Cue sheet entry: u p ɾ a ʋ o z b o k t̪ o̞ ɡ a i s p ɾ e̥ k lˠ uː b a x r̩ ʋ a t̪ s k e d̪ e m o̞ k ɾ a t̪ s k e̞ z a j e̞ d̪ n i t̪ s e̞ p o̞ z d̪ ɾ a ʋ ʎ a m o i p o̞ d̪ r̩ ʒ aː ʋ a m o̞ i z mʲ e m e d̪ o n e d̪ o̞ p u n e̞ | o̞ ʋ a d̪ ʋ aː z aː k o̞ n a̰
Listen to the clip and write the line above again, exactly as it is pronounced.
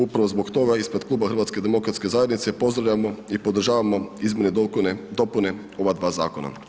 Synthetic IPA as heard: u p ɾ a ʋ o z b o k t̪ o̞ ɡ a i s p ɾ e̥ k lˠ uː b a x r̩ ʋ a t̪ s k e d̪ e m o̞ k ɾ a t̪ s k e̞ z a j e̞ d̪ n i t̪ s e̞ p o̞ z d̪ ɾ a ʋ ʎ a m o i p o̞ d̪ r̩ ʒ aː ʋ a m o̞ i z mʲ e n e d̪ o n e d̪ o̞ p u n e̞ | o̞ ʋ a d̪ ʋ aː z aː k o̞ n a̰